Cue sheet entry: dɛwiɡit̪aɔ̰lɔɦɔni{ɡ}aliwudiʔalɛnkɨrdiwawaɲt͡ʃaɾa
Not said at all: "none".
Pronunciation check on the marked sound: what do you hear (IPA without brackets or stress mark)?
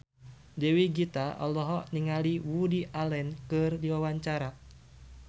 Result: ŋ